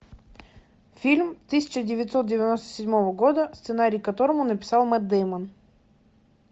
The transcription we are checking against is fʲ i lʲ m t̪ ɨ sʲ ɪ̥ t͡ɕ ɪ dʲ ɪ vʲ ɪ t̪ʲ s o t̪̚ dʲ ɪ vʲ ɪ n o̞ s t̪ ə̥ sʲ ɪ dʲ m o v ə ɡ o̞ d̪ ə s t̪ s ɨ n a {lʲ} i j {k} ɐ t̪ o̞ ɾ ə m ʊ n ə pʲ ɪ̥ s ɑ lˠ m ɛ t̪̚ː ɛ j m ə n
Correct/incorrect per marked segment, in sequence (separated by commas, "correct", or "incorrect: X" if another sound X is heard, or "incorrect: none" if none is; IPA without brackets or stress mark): incorrect: ɾʲ, correct